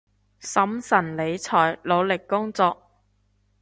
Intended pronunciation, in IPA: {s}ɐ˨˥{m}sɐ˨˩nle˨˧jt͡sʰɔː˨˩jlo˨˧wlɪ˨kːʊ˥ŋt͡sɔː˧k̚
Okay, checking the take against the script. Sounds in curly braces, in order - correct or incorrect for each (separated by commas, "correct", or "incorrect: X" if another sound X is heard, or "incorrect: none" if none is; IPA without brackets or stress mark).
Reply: correct, correct